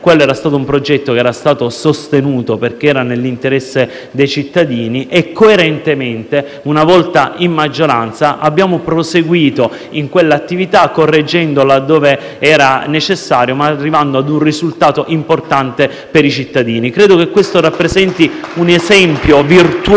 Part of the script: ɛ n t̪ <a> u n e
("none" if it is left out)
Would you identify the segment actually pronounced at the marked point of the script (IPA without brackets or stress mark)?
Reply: i